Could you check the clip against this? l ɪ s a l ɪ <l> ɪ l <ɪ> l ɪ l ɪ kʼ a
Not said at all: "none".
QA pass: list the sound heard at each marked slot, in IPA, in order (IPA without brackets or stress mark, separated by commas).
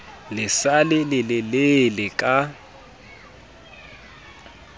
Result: l, ɪ